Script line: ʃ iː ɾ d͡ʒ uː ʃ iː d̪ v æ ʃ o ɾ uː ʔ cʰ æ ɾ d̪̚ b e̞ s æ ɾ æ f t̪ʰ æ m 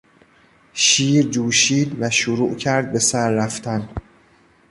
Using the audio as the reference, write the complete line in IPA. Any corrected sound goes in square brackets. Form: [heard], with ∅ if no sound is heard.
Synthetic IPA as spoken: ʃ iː ɾ d͡ʒ uː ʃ iː d̪ v æ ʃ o ɾ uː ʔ cʰ æ ɾ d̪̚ b e̞ s æ [ɾː] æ f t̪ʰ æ [n]